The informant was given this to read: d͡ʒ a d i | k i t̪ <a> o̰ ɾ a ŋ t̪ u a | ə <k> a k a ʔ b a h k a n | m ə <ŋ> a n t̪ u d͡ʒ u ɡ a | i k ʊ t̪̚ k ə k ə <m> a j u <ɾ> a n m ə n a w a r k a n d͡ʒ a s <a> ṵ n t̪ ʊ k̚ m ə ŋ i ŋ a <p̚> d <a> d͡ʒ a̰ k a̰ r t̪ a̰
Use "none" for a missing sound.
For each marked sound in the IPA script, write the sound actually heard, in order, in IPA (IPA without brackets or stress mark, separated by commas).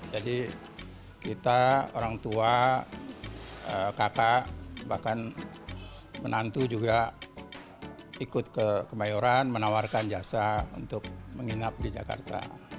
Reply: a, k, n, m, ɾ, a, p̚, i